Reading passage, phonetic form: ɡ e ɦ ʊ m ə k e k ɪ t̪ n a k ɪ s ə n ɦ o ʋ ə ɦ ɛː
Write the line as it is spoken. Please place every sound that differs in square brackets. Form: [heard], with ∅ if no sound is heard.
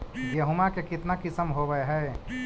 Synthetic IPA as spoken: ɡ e ɦ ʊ m [a] k e k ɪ t̪ n a k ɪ s ə [m] ɦ o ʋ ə ɦ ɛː